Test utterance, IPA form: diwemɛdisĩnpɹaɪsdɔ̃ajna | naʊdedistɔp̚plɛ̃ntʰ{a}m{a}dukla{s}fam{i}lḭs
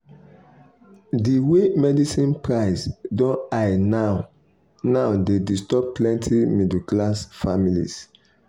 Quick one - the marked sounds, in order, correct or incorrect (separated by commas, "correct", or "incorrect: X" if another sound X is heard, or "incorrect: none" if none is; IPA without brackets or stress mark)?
incorrect: i, incorrect: i, correct, correct